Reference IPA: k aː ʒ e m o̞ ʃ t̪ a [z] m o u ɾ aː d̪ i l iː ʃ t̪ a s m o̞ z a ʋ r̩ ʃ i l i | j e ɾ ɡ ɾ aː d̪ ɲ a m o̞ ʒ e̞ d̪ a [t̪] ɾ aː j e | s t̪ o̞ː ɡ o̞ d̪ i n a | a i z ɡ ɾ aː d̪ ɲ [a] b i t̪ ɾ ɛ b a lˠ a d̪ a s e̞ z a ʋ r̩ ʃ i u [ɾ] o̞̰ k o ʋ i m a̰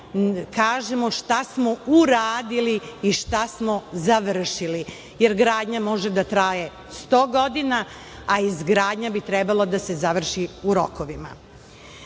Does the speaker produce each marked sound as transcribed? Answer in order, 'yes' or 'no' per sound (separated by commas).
no, yes, yes, yes